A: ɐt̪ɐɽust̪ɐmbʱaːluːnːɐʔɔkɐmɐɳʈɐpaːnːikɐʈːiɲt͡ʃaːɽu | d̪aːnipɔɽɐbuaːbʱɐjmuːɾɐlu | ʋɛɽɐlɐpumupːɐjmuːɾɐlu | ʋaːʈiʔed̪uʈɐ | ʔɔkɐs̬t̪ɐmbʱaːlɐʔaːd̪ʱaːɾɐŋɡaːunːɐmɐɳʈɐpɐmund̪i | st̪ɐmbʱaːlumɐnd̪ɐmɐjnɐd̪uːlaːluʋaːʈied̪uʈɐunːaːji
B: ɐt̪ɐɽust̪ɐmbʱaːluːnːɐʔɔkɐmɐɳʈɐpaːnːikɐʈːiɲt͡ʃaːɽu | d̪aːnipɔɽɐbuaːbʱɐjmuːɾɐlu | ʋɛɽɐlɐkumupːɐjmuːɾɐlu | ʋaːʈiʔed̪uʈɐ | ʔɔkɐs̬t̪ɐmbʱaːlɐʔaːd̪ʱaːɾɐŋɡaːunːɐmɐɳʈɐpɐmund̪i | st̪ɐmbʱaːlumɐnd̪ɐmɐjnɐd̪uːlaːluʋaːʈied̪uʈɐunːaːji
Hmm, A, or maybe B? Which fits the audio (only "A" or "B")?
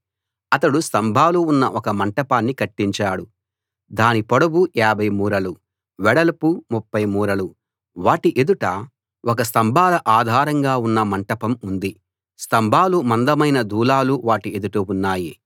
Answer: A